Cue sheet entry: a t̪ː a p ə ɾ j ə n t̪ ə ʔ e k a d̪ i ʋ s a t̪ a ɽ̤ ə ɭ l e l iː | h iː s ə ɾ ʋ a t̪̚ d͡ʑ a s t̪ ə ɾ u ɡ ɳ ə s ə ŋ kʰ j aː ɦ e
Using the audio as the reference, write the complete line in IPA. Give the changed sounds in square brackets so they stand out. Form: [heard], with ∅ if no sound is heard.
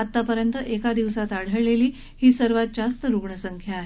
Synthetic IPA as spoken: a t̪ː a p ə ɾ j ə n t̪ ə ʔ e k a d̪ i ʋ s a t̪ a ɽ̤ ə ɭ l e l iː | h iː s ə ɾ ʋ a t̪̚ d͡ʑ a s t̪ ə ɾ u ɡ ɳ ə s ə ŋ kʰ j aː ɦ e